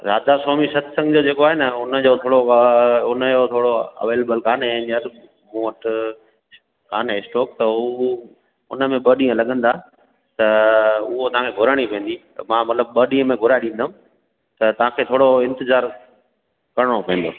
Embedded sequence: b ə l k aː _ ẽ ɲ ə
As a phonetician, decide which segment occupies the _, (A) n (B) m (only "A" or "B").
A